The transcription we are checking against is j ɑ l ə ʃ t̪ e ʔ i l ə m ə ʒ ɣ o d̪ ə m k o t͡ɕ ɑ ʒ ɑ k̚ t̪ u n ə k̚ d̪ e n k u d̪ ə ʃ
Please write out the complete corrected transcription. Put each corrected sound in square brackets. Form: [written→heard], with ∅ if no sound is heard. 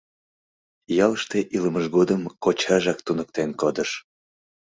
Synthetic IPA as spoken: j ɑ l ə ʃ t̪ e ʔ i l ə m ə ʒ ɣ o d̪ ə m k o t͡ɕ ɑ ʒ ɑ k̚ t̪ u n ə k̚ [d̪→t̪] e n k [u→o] d̪ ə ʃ

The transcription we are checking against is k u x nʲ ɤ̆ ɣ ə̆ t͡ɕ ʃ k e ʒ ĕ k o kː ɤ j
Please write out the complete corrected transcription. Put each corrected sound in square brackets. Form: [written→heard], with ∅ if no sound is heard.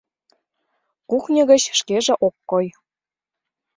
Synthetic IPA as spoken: k u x nʲ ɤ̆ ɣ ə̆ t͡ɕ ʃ k e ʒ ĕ [k→ʔ] o kː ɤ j

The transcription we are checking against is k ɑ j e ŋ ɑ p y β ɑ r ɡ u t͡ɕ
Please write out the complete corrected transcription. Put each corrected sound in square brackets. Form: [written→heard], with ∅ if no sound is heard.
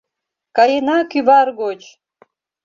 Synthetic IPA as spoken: k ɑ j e [ŋ→n] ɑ [p→k] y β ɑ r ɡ [u→o] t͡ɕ

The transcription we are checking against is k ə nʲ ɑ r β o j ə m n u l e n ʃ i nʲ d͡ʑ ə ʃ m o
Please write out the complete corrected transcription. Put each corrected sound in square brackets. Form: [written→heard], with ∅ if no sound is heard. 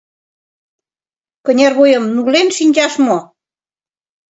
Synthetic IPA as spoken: k ə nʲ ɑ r β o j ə m n u l e n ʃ i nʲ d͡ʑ [ə→ɑ] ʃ m o

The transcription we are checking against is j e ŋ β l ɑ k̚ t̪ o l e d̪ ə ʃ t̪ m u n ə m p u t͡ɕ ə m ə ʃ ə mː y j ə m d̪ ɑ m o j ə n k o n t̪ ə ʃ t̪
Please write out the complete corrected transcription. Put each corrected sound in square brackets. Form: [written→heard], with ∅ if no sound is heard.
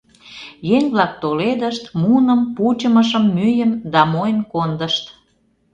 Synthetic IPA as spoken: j e ŋ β l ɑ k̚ t̪ o l e d̪ ə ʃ t̪ m u n ə m p u t͡ɕ ə m ə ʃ ə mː y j ə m d̪ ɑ m o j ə n k o n [t̪→d̪] ə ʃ t̪

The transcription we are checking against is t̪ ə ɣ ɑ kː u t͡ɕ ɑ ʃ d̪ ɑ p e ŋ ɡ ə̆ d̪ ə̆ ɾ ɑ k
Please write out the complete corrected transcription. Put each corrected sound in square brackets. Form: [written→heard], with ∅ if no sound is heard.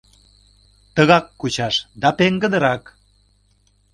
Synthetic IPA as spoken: t̪ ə ɣ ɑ kː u t͡ɕ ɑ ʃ d̪ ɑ p e ŋ ɡ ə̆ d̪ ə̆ ɾ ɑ k

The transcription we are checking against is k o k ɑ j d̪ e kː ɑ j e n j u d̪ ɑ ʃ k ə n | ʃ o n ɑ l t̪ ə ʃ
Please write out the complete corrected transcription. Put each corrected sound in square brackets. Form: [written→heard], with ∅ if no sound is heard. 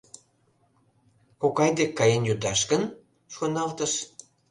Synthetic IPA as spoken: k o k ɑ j d̪ e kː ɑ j e n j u d̪ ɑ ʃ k ə n | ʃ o n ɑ l t̪ ə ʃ

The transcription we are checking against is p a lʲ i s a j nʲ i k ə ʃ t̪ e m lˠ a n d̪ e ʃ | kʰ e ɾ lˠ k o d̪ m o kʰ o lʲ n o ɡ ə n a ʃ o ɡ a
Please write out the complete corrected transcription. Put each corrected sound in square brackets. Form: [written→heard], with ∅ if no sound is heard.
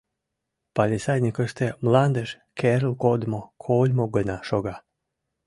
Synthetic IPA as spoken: p a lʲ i s a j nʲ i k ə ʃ t̪ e m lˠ a n d̪ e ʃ | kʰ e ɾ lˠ k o d̪ m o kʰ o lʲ [n→m] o ɡ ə n a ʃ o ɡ a

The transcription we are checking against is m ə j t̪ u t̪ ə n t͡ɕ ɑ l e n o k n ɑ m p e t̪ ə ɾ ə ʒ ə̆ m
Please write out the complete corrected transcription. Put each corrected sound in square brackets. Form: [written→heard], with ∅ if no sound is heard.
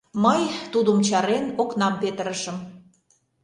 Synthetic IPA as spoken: m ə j t̪ u [t̪→d̪] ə [n→m] t͡ɕ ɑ [l→ɾ] e n o k n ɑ m p e t̪ ə ɾ ə [ʒ→ʃ] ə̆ m

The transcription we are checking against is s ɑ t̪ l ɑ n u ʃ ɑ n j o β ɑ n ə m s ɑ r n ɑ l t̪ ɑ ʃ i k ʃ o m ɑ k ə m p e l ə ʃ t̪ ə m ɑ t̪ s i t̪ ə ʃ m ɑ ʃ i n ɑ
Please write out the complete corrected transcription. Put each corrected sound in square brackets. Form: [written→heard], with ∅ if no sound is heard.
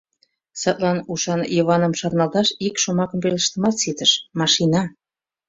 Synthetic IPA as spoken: s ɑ t̪ l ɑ n u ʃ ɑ n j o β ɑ n ə m [s→ʃ] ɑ r n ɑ l t̪ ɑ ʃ i k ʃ o m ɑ k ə m p e l ə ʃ t̪ ə m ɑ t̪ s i t̪ ə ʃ m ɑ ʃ i n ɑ

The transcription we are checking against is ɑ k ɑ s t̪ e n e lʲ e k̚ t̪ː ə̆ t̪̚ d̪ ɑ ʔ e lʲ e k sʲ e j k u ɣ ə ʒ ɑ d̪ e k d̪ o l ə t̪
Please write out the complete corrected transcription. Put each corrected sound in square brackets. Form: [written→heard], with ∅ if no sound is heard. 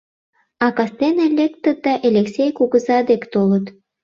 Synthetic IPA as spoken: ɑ k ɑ s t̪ e n e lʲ e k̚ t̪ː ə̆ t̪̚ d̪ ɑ ʔ e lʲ e k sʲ e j k u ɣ ə [ʒ→z] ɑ d̪ e k [d̪→t̪] o l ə t̪

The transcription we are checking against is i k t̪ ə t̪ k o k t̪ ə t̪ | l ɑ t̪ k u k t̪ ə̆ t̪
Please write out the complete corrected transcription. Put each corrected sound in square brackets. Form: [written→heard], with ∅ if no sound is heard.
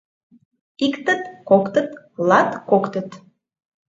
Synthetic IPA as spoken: i k t̪ ə t̪ k o k t̪ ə t̪ | l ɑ t̪ k [u→o] k t̪ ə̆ t̪

